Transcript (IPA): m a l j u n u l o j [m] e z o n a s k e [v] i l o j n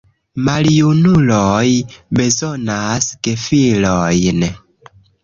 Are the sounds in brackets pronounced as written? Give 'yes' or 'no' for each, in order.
no, no

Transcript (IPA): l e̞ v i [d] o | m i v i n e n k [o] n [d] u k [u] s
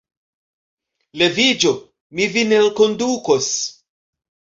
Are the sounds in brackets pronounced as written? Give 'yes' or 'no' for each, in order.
no, yes, yes, no

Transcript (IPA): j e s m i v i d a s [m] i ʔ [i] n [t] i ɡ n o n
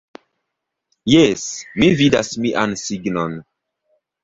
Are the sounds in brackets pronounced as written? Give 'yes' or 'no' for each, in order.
yes, no, no

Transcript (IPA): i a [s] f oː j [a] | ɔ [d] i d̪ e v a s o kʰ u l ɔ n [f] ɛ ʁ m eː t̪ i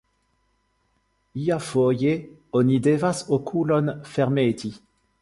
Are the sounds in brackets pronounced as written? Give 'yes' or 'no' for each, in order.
no, no, no, yes

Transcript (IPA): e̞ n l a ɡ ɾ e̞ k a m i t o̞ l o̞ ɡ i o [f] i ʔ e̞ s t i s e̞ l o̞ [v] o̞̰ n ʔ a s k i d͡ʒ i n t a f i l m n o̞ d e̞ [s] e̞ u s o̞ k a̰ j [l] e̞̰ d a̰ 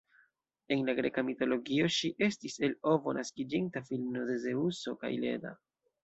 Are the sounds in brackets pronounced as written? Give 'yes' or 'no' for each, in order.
no, yes, no, yes

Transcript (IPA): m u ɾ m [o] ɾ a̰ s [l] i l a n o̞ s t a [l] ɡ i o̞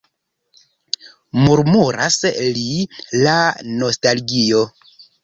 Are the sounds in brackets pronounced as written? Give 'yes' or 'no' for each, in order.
no, yes, yes

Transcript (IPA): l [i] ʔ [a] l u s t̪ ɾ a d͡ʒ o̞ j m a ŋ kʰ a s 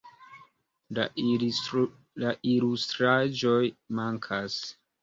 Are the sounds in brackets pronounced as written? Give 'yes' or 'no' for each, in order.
no, no

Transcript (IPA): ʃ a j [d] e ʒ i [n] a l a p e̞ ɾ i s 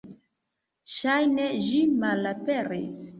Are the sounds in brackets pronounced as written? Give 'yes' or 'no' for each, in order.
no, no

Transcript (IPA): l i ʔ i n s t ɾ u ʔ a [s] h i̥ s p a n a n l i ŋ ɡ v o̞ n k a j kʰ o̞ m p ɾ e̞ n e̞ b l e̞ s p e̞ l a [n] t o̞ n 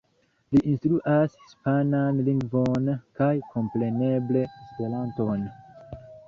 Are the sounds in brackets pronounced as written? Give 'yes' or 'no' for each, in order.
yes, yes

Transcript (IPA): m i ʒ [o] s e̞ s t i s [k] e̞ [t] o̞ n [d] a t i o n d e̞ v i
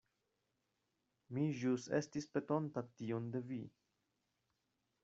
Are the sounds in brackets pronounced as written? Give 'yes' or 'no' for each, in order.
no, no, yes, no

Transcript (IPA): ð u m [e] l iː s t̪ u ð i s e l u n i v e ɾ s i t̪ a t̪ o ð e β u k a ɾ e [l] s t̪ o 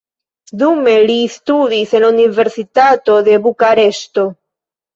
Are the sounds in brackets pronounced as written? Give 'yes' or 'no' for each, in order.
yes, no

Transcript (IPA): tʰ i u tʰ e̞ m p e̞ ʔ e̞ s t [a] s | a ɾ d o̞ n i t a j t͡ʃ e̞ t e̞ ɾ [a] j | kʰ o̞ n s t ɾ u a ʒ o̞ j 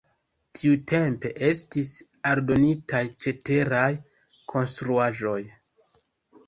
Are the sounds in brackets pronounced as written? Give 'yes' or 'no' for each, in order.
no, yes

